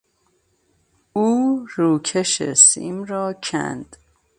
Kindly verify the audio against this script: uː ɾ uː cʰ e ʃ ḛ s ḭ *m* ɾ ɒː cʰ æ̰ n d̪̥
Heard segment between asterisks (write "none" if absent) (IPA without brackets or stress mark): m